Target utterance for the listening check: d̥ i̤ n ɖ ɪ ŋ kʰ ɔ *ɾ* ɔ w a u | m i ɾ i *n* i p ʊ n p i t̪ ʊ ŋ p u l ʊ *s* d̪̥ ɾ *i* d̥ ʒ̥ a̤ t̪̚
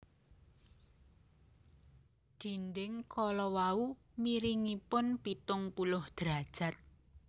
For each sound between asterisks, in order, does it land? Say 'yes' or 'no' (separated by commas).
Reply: no, no, no, no